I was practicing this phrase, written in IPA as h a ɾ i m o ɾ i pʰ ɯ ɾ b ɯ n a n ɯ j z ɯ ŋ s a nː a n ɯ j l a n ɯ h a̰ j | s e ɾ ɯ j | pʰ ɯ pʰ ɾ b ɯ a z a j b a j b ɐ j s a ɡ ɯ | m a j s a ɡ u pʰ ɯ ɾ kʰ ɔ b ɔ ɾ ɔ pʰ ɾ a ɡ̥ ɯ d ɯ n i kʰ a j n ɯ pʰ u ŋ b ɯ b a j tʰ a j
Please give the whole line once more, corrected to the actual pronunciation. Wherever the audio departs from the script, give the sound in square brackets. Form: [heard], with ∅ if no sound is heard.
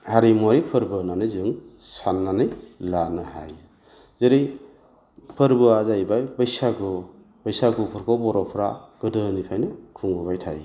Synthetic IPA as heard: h a ɾ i m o ɾ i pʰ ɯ ɾ b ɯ n a n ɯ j z ɯ ŋ s a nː a n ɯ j l a n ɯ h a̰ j | [z] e ɾ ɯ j | pʰ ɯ [∅] ɾ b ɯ a z a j b a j b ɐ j s a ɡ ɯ | [b] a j s a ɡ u pʰ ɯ ɾ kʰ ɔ b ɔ ɾ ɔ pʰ ɾ a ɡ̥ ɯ d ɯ n i [pʰ] a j n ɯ [kʰ] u ŋ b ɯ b a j tʰ a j